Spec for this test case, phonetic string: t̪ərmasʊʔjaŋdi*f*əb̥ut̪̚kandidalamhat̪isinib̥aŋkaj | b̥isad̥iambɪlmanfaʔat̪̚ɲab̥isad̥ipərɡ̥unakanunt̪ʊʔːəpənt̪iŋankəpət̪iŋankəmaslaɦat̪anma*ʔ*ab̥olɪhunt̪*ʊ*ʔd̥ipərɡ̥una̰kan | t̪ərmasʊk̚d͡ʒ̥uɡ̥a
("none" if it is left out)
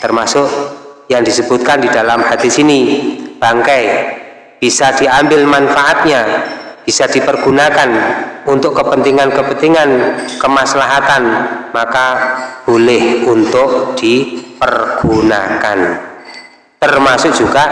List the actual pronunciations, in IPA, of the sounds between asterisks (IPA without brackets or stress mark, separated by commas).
s, k, ʊ